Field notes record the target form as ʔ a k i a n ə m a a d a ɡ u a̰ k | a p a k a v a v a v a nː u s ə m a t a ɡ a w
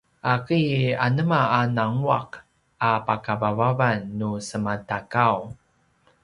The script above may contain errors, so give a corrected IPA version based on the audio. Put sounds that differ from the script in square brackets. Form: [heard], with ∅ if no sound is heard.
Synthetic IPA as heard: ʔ a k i a n ə m a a [n] a [ŋ] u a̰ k | a p a k a v a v a v a nː u s ə m a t a [k] a w